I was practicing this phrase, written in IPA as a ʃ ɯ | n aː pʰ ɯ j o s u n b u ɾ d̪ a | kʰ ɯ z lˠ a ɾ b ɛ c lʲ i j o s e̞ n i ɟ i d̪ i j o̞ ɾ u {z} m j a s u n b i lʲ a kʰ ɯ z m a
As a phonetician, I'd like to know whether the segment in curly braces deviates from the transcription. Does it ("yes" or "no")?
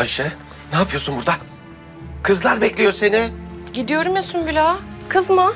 yes